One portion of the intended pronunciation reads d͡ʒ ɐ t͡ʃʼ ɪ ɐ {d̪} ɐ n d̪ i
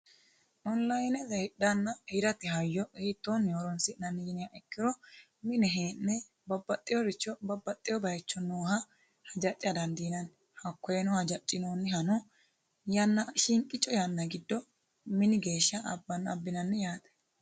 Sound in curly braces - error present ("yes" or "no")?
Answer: no